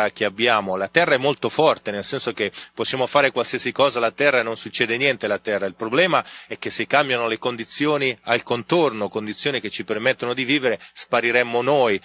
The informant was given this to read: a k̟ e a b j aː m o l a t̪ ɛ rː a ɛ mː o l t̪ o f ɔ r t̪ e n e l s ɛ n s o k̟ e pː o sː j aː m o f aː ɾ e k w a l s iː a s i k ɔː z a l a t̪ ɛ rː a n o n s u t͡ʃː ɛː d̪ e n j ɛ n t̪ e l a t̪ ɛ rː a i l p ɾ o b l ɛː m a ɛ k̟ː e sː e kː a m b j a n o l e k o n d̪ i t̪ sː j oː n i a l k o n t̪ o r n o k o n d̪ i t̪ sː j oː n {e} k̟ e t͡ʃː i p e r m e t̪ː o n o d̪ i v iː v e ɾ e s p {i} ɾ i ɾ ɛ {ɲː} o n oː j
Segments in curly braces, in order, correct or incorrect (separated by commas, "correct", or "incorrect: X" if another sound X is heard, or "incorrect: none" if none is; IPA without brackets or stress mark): incorrect: i, incorrect: a, incorrect: mː